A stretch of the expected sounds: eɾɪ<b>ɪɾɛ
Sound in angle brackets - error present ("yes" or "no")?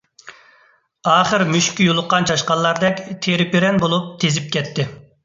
yes